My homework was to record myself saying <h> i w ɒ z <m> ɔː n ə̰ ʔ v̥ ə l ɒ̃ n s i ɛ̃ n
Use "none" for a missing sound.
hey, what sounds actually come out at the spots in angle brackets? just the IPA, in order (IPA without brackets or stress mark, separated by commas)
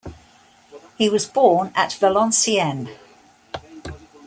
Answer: h, b